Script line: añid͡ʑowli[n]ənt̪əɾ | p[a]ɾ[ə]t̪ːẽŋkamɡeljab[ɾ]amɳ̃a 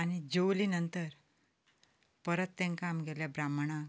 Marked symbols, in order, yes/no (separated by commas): yes, no, yes, yes